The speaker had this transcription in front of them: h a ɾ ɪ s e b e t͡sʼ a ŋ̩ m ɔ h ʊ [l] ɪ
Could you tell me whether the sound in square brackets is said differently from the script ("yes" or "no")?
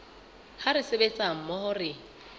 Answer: yes